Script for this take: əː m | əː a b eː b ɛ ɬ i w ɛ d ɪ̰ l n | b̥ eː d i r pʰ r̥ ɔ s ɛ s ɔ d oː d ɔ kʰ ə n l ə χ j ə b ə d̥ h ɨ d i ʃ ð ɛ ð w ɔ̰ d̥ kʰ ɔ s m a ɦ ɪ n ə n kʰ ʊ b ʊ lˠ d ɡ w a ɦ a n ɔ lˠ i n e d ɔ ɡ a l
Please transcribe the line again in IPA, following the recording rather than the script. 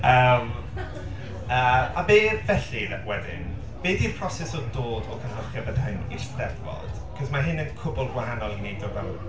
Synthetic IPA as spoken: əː m | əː a b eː v ɛ ɬ i w ɛ d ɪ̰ n | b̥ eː d i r pʰ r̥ ɔ s ɛ s ɔ d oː d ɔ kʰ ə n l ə χ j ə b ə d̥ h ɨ n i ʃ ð ɛ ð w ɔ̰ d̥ kʰ ɔ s m a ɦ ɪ n ə n kʰ ʊ b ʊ lˠ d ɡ w a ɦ a n ɔ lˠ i n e d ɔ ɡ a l